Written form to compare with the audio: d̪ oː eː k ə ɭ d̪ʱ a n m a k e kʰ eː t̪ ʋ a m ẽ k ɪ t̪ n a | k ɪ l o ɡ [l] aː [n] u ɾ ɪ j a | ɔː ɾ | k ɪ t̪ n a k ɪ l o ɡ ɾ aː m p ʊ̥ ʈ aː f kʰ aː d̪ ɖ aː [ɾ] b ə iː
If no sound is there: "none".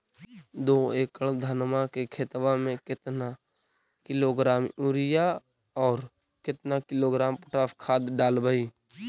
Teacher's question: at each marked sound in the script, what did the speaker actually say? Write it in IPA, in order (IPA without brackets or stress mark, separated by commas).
ɾ, m, l